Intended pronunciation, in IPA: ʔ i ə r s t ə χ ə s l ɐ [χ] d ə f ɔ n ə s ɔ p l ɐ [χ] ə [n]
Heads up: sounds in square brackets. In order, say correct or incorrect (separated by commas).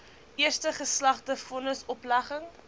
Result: correct, correct, incorrect